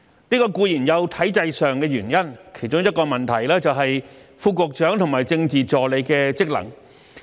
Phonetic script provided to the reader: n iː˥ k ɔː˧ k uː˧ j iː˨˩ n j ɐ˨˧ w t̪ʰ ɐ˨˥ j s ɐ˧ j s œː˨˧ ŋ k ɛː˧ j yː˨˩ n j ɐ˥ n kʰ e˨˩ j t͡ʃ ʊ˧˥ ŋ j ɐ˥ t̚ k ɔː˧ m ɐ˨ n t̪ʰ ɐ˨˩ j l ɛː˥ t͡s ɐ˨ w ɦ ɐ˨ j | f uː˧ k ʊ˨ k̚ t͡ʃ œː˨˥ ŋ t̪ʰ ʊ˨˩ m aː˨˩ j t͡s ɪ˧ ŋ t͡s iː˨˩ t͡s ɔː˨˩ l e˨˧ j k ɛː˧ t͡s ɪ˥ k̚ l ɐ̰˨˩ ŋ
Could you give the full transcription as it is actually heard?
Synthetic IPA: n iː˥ k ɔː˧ k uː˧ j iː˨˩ n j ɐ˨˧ w t̪ʰ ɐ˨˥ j t͡s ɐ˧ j s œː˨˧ ŋ k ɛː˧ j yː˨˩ n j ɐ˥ n kʰ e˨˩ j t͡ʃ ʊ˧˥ ŋ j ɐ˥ t̚ k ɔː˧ m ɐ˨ n t̪ʰ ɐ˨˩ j l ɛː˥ t͡s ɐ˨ w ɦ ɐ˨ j | f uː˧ k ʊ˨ k̚ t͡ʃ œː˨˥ ŋ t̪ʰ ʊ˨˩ m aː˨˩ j t͡s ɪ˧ ŋ t͡s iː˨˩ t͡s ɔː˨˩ l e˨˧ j k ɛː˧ t͡s ɪ˥ k̚ l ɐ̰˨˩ ŋ